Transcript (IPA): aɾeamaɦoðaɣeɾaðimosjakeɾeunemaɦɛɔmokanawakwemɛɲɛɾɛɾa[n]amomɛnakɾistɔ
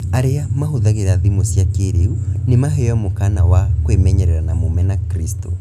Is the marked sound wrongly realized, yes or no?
no